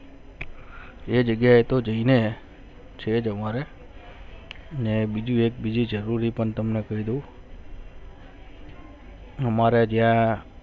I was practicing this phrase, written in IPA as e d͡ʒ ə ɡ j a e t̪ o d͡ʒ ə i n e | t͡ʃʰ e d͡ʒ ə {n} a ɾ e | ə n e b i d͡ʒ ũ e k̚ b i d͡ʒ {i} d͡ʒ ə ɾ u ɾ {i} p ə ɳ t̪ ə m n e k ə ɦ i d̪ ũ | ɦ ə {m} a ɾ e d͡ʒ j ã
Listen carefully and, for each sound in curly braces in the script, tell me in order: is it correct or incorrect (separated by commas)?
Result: incorrect, correct, correct, correct